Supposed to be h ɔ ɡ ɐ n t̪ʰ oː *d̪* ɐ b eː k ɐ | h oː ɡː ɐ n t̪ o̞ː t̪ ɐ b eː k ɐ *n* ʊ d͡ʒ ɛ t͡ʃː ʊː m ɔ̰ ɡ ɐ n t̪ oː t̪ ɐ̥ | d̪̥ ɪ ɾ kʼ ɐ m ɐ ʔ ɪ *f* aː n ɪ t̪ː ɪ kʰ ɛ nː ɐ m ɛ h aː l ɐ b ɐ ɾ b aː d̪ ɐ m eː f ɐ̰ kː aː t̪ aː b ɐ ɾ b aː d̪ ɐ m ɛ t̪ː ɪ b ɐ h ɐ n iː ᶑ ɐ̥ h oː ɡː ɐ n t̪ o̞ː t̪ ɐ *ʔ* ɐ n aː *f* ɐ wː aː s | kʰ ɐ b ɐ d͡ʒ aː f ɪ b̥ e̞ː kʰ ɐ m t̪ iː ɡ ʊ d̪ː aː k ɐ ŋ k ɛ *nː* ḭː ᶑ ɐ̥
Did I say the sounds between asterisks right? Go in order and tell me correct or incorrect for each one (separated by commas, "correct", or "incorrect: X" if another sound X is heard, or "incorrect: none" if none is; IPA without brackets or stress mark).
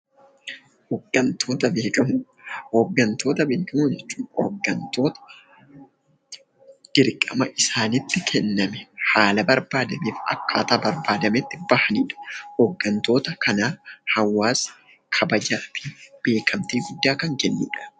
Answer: incorrect: t̪, incorrect: m, incorrect: s, incorrect: k, incorrect: h, correct